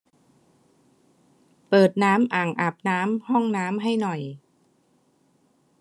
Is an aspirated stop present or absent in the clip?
absent